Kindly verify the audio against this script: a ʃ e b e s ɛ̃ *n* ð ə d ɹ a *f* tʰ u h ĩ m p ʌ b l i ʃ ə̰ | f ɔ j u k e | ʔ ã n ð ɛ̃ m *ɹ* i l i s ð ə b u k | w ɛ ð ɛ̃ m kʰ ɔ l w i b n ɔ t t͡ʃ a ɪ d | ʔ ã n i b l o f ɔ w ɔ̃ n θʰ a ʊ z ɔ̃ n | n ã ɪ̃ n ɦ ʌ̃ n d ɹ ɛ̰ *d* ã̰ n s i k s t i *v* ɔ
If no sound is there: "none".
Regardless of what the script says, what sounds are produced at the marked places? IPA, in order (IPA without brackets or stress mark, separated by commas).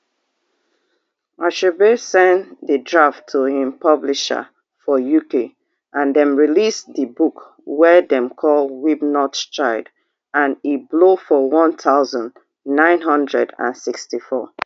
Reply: n, f, ɹ, d, f